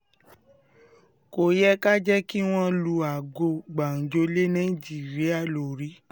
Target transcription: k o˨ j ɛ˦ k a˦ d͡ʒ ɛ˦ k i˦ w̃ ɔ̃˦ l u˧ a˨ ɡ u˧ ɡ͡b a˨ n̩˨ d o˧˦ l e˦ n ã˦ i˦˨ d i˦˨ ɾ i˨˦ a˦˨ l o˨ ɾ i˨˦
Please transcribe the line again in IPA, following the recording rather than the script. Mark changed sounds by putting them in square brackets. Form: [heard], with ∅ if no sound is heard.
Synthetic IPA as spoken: k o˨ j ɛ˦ k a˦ d͡ʒ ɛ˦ k i˦ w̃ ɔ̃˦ l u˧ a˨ ɡ [o˧] ɡ͡b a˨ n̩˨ [d͡ʒ] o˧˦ l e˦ n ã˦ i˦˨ [d͡ʒ] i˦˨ ɾ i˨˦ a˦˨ l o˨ ɾ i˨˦